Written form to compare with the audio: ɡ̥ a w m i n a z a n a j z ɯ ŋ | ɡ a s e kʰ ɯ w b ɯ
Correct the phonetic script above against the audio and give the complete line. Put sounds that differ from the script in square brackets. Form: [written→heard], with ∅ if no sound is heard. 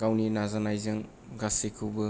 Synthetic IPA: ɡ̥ a w [m→n] i n a z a n a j z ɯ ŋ | ɡ a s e kʰ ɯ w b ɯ